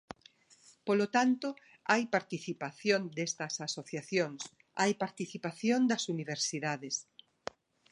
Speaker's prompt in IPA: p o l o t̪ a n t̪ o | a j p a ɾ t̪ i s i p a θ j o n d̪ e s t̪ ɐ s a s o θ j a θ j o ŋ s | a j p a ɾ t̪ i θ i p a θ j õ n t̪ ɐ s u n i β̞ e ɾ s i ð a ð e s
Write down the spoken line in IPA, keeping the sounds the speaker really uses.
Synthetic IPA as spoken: p o l o t̪ a n t̪ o | a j p a ɾ t̪ i θ i p a θ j o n d̪ e s t̪ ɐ s a s o θ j a θ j o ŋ s | a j p a ɾ t̪ i θ i p a θ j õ n d̪ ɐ s u n i β̞ e ɾ s i ð a ð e s